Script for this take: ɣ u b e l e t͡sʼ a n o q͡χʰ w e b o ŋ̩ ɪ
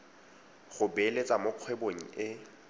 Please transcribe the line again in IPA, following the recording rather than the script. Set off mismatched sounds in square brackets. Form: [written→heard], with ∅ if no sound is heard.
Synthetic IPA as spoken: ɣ [u→ʊ] b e l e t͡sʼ a [n→m] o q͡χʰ w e b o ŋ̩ ɪ